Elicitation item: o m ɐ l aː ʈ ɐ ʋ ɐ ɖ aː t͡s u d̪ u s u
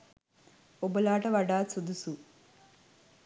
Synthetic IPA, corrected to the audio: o b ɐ l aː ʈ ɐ ʋ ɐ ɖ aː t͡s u d̪ u s u